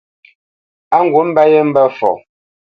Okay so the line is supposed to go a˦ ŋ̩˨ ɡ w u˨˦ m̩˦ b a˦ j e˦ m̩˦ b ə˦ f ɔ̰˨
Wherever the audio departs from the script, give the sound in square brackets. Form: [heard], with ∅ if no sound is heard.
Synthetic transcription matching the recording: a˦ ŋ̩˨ ɡ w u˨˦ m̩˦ b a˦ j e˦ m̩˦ b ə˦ f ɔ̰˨

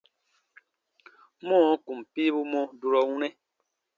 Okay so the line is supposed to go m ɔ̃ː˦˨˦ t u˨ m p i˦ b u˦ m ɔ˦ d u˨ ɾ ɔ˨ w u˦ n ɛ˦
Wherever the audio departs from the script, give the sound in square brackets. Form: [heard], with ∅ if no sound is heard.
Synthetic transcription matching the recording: m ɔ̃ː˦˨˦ [k] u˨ m p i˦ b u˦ m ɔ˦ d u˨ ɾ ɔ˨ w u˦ n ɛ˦

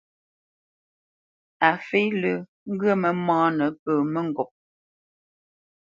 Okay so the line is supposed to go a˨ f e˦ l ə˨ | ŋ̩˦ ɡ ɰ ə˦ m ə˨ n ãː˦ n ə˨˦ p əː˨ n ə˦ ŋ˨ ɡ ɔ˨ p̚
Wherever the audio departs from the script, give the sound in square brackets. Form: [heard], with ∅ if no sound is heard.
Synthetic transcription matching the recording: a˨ f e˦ l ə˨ | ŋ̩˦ ɡ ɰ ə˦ m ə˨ [m] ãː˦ n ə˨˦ p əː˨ [m] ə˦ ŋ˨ ɡ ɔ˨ p̚

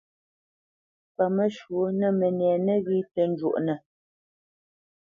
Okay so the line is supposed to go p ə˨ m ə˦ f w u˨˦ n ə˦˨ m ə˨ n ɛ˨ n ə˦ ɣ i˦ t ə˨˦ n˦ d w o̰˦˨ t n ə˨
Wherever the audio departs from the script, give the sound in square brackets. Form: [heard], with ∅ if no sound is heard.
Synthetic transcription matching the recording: p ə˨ m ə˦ [ʃ] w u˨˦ n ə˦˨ m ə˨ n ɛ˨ n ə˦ ɣ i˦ t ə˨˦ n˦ [d͡ʒ] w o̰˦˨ [ʔ] n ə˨

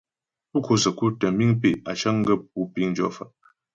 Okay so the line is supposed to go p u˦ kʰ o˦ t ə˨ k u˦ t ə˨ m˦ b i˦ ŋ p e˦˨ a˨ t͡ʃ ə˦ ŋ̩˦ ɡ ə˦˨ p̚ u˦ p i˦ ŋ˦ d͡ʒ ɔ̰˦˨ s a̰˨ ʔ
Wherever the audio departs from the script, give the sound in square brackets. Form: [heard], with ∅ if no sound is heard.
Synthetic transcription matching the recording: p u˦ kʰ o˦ [s] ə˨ k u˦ t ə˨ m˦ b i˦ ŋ p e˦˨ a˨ t͡ʃ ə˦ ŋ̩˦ ɡ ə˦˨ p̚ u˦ p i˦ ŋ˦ d͡ʒ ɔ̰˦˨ [f] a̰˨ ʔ

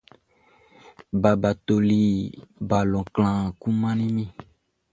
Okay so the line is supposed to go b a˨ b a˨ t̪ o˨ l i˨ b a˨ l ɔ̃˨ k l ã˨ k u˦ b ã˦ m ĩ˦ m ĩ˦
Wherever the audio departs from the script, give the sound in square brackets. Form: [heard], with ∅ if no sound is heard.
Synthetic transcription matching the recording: b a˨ b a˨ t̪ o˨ l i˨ b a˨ l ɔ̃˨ k l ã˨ k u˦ [m] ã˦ [n] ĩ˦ m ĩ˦

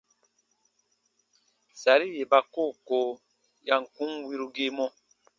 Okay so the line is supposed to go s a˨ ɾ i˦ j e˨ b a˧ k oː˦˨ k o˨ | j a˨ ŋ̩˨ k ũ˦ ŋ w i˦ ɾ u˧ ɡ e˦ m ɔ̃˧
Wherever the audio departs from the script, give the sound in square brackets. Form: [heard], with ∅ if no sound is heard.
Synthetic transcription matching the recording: s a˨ ɾ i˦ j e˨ b a˧ k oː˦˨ k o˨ | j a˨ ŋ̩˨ k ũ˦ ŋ w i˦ ɾ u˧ ɡ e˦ m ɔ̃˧

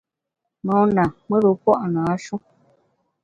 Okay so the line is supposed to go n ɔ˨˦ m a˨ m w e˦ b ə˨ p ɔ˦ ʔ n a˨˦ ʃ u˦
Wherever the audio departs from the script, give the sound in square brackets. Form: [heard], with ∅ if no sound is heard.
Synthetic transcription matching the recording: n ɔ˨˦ [n] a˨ m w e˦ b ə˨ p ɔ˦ ʔ n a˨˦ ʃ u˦

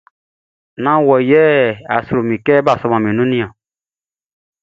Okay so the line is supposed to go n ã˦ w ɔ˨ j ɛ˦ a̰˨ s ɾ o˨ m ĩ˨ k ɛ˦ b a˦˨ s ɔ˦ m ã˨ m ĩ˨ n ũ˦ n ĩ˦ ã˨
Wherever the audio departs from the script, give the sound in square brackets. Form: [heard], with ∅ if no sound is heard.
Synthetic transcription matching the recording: n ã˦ w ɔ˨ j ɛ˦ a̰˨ s ɾ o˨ m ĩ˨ k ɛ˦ b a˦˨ s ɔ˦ m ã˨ m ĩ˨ n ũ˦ n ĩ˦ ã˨

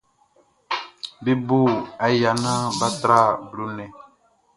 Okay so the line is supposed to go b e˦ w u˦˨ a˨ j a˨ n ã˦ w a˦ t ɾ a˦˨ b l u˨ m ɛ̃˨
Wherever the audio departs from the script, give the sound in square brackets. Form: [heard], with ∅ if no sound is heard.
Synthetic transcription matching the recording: b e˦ [b] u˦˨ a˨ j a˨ n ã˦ [b] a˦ t ɾ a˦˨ b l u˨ [n] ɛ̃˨

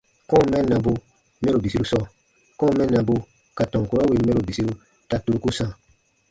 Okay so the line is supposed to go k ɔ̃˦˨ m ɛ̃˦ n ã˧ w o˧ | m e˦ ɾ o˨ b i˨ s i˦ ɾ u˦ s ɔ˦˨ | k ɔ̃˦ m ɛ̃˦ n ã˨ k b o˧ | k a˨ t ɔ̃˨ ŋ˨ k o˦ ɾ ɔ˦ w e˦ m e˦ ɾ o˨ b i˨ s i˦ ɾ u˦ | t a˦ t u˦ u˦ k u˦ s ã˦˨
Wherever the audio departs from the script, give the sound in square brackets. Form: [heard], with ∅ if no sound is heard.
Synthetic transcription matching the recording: k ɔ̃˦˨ m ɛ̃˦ n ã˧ [b] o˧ | m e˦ ɾ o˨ b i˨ s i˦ ɾ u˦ s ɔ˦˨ | k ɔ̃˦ m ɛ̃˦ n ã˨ [∅] b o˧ | k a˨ t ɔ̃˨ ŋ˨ k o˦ ɾ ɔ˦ w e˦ m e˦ ɾ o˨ b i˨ s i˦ ɾ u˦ | t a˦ t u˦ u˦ k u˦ s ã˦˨

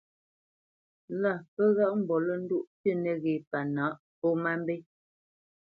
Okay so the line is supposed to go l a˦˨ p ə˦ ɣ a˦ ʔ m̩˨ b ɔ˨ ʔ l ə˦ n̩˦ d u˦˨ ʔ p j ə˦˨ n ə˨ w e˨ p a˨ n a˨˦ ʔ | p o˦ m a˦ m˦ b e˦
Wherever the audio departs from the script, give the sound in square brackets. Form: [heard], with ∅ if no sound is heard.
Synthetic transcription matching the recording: l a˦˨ p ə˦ ɣ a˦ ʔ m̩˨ b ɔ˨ [∅] l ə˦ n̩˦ d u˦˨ ʔ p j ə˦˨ n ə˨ [ɣ] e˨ p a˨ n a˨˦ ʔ | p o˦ m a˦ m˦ b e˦

